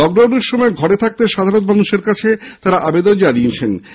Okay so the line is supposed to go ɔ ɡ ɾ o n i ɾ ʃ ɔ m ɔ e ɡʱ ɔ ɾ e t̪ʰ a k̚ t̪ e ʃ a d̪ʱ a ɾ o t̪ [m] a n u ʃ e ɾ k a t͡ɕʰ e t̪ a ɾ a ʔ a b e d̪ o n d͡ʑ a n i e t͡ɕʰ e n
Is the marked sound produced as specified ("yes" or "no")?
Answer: yes